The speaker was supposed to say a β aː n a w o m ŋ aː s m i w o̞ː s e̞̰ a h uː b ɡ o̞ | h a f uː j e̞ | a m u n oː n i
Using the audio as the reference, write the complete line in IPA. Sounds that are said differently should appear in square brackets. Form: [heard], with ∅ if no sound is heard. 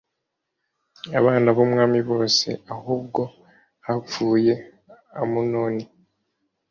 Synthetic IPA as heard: a β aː n a [β] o m ŋ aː [∅] m i [β] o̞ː s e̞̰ a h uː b ɡ o̞ | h a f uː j e̞ | a m u n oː n i